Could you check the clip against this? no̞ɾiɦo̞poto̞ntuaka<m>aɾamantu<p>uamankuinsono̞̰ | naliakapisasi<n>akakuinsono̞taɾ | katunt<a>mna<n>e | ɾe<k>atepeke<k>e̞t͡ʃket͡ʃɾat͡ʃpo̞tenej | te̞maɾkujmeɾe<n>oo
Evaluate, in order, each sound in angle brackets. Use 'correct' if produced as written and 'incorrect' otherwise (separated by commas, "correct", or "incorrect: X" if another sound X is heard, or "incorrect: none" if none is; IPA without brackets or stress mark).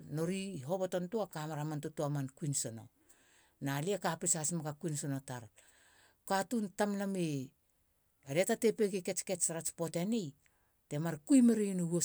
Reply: correct, incorrect: t, incorrect: m, correct, incorrect: m, incorrect: t, correct, correct